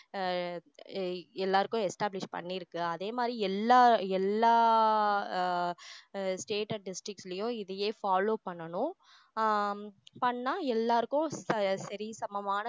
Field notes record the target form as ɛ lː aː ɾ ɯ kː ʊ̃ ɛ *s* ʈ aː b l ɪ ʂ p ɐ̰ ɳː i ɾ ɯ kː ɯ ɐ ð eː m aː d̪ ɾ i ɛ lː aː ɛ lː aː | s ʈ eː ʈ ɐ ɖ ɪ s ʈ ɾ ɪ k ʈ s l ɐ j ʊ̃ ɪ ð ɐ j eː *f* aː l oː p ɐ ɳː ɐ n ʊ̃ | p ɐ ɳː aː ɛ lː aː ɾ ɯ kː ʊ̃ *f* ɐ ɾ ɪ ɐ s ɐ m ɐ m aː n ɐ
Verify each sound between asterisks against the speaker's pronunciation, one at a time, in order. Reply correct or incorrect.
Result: correct, correct, incorrect

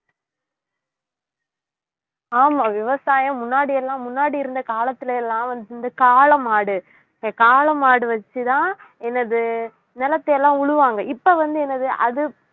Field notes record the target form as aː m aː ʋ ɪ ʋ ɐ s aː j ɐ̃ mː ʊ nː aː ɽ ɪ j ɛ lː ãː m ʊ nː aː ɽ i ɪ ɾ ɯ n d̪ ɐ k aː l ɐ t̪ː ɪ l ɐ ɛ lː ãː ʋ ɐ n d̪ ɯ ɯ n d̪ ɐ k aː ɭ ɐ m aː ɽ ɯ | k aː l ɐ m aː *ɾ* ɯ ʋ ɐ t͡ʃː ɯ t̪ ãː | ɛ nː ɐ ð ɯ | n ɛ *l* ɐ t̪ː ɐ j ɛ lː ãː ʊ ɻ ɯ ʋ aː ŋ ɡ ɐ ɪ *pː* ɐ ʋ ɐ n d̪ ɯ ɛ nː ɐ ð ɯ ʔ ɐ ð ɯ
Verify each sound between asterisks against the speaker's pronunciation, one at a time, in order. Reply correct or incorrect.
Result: incorrect, correct, correct

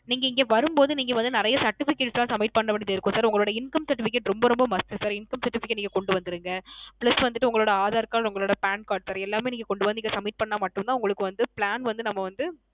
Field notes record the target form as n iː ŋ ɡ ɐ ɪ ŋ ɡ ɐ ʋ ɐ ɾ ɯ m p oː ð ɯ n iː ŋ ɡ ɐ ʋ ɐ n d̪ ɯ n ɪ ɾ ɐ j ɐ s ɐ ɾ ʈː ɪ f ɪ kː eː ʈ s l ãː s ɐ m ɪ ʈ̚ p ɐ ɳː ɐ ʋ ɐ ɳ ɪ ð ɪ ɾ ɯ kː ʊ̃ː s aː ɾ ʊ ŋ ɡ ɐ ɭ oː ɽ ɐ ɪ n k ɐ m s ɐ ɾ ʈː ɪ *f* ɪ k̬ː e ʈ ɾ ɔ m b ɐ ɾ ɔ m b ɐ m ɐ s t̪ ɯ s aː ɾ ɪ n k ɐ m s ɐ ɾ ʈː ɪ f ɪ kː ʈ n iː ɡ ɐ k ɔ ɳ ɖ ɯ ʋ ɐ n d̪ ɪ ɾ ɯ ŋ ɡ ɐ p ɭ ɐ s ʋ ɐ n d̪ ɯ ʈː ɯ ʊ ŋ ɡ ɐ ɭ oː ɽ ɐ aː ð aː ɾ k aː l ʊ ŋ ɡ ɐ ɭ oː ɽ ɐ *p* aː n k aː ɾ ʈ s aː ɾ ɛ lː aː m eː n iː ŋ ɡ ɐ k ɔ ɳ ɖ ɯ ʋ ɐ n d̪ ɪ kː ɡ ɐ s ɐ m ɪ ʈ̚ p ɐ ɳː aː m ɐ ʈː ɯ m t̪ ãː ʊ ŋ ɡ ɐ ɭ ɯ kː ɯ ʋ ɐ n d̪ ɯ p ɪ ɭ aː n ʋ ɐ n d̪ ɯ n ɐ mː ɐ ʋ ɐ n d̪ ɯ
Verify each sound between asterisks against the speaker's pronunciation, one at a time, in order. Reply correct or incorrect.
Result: correct, correct

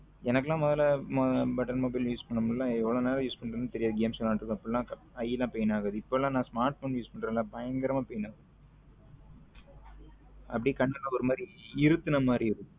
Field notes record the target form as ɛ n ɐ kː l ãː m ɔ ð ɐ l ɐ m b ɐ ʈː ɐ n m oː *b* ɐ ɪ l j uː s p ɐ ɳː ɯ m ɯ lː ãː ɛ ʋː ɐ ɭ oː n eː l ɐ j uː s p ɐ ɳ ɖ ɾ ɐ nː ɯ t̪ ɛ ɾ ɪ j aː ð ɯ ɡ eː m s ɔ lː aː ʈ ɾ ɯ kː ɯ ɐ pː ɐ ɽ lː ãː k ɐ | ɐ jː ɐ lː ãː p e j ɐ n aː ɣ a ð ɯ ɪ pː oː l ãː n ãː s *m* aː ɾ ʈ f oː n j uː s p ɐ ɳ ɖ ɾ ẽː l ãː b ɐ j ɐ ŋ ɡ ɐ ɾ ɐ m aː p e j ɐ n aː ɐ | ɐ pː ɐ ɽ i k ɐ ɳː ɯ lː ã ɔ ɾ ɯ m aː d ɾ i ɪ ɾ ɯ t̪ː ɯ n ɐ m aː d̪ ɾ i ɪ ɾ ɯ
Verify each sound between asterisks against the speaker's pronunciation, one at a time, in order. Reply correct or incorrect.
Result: correct, correct

